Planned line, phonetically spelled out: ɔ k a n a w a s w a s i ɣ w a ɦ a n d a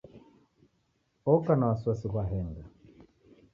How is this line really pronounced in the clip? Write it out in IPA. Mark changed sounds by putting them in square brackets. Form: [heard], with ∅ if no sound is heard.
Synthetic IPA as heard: ɔ k a n a w a s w a s i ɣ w a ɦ [ɛ] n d a